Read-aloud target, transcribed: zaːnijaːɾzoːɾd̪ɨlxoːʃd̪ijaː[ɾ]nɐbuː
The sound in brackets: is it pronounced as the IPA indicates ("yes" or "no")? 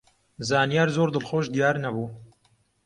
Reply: yes